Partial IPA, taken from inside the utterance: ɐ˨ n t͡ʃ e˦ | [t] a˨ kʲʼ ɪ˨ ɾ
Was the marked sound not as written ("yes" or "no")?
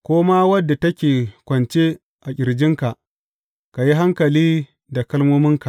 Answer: yes